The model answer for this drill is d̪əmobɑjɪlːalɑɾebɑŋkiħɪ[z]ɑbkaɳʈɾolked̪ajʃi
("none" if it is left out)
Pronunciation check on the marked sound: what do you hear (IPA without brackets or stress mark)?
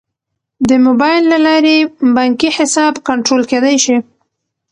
s